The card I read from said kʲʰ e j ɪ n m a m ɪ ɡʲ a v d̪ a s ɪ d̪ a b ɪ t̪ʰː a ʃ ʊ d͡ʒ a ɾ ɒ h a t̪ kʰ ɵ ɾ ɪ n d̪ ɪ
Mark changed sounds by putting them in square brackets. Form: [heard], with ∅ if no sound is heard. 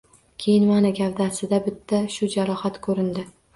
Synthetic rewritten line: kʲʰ e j ɪ n m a [n] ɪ ɡʲ a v d̪ a s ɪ d̪ a b ɪ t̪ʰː a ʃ ʊ d͡ʒ a ɾ ɒ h a t̪ kʰ ɵ ɾ ɪ n d̪ ɪ